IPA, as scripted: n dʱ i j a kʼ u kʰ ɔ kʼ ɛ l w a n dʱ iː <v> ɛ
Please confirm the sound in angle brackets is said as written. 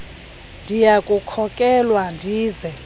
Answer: no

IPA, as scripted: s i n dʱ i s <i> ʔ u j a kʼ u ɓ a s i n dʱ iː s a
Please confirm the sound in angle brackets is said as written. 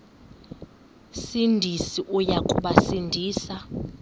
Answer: yes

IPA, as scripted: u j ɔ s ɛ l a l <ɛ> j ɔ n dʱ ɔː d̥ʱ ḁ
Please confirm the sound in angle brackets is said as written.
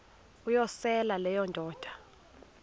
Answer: yes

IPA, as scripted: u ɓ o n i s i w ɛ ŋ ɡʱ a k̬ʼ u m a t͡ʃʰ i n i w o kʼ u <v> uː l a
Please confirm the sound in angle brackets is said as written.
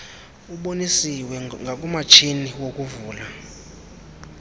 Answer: yes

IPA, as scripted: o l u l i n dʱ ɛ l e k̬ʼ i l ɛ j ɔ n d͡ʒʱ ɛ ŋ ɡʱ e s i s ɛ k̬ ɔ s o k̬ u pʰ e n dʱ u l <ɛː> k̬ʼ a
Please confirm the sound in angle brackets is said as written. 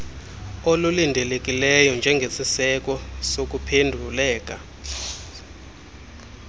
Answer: yes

